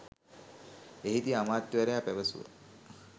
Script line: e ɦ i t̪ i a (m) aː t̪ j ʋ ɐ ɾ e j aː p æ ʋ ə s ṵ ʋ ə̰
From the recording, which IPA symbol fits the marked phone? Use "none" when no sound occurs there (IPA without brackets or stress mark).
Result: m